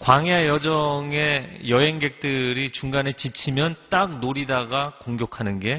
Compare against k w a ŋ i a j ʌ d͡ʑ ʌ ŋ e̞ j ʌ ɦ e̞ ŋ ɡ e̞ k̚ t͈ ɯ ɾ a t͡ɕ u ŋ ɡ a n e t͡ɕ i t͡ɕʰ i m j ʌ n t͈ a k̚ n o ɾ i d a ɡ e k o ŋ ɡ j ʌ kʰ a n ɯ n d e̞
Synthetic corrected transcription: k w a ŋ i a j ʌ d͡ʑ ʌ ŋ e̞ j ʌ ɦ e̞ ŋ ɡ e̞ k̚ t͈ ɯ ɾ i t͡ɕ u ŋ ɡ a n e t͡ɕ i t͡ɕʰ i m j ʌ n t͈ a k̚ n o ɾ i d a ɡ a k o ŋ ɡ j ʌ kʰ a n ɯ n ɡ e̞